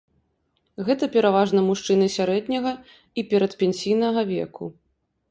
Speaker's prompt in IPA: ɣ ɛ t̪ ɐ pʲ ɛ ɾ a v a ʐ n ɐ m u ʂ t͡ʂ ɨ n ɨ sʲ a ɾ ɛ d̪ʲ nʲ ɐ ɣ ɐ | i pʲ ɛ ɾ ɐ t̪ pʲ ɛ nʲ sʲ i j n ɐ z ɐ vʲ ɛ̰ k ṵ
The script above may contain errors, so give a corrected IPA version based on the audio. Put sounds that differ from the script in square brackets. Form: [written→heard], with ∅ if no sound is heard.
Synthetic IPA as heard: ɣ ɛ t̪ ɐ pʲ ɛ ɾ a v a ʐ n ɐ m u ʂ t͡ʂ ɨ n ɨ sʲ a ɾ ɛ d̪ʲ nʲ ɐ ɣ ɐ | i pʲ ɛ ɾ ɐ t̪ pʲ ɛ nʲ sʲ i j n ɐ [z→ɣ] ɐ vʲ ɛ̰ k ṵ